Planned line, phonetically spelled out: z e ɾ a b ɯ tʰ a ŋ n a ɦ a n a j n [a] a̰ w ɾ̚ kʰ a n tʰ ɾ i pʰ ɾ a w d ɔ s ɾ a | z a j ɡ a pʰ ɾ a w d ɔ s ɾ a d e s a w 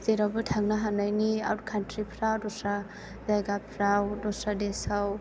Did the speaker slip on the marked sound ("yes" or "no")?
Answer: yes